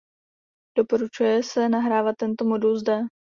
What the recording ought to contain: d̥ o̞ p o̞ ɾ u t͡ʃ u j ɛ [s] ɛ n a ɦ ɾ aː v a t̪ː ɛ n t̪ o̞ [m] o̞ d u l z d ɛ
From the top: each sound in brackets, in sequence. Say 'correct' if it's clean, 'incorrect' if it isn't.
correct, correct

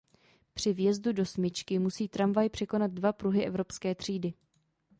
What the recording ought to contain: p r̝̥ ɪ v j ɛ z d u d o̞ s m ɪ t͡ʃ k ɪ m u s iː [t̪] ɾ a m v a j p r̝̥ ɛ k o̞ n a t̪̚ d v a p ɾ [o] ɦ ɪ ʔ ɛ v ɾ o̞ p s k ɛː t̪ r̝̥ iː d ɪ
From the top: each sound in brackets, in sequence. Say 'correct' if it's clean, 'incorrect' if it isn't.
correct, incorrect

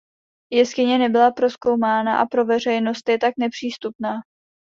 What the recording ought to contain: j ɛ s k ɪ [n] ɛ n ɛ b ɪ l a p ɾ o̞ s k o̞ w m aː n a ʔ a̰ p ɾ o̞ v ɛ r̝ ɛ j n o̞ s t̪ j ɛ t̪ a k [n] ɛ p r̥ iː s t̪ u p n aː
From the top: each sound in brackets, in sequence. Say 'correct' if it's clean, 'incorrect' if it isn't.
incorrect, correct

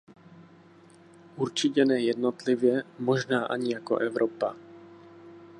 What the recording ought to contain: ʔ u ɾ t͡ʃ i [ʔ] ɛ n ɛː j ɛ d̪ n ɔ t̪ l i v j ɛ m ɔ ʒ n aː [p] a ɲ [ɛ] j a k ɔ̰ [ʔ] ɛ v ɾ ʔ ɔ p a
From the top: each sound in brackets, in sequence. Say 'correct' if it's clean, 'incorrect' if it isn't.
incorrect, incorrect, incorrect, correct

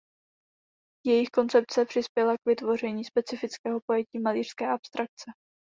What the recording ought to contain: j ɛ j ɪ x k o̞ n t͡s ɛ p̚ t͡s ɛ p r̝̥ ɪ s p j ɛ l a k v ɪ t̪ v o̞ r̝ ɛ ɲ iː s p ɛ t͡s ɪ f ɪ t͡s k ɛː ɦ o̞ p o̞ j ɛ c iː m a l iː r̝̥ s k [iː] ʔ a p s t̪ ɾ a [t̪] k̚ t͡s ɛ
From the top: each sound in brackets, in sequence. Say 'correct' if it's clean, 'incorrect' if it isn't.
incorrect, incorrect

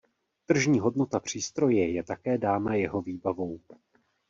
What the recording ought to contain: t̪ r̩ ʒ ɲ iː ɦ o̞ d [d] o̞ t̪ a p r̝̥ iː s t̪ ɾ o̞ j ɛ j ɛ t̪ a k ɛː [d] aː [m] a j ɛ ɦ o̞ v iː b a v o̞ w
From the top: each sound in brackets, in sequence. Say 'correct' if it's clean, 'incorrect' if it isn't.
incorrect, correct, incorrect

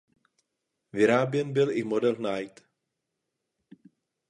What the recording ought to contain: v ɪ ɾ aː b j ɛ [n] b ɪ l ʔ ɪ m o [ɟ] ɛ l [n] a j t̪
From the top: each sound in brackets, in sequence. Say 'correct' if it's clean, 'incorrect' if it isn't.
correct, incorrect, correct

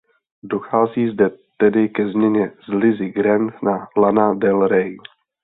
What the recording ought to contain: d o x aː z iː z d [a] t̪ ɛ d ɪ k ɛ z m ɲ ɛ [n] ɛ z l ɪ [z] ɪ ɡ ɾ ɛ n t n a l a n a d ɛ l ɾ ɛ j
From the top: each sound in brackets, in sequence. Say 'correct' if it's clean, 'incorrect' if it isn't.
incorrect, incorrect, correct

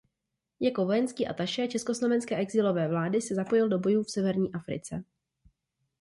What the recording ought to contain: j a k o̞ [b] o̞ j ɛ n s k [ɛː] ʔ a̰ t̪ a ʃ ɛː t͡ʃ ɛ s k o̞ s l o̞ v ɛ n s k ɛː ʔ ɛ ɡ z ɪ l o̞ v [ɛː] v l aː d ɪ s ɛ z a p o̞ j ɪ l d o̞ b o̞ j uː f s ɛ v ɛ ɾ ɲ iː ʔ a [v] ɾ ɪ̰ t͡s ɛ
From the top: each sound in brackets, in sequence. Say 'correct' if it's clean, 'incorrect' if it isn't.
incorrect, incorrect, correct, incorrect

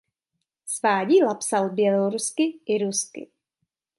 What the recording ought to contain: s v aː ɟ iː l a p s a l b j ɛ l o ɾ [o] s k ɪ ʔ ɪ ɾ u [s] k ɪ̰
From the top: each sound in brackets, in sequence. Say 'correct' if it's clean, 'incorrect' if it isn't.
incorrect, correct

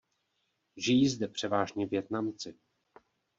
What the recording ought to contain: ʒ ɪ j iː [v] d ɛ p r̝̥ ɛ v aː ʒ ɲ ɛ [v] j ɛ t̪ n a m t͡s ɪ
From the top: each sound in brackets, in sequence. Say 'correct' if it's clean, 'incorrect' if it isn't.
incorrect, correct

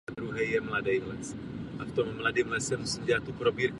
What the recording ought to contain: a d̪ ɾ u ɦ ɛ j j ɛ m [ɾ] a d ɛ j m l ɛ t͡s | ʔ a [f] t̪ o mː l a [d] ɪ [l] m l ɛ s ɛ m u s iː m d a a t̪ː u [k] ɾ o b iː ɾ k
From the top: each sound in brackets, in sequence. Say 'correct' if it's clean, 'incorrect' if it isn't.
incorrect, correct, correct, incorrect, incorrect

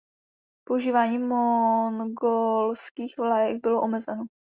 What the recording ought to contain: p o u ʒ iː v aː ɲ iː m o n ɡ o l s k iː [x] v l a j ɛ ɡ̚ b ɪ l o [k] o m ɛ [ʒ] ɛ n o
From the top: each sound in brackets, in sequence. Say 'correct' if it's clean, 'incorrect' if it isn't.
correct, incorrect, incorrect

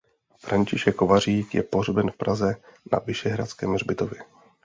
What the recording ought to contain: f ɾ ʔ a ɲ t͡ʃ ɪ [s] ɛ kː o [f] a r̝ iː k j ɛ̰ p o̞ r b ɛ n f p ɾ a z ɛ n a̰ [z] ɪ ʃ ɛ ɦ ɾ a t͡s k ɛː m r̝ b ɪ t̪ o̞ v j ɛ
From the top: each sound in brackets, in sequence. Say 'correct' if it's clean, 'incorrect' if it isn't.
incorrect, incorrect, incorrect

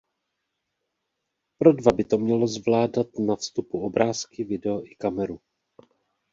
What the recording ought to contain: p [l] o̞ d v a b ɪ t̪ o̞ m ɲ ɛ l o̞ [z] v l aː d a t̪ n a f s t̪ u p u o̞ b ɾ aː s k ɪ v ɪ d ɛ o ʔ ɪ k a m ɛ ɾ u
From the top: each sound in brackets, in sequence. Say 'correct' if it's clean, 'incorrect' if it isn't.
incorrect, correct

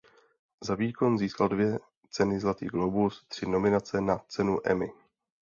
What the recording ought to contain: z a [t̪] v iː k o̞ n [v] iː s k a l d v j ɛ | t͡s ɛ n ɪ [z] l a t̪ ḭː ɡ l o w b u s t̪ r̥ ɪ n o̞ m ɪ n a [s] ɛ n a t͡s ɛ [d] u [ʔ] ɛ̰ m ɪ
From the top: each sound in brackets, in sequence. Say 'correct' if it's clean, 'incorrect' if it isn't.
incorrect, incorrect, correct, incorrect, incorrect, correct

